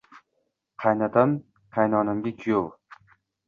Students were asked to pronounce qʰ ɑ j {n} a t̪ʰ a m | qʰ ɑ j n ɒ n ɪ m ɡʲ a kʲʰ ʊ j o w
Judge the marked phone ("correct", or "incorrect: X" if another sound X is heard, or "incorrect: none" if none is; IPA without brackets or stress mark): correct